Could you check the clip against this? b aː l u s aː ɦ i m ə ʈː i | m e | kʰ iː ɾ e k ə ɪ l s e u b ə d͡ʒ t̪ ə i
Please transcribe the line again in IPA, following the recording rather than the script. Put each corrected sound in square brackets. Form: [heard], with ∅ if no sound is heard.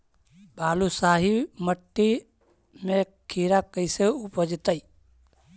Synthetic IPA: b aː l u s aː ɦ i m ə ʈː i | m e | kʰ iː ɾ [a] k ə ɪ [∅] s e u [p] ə d͡ʒ t̪ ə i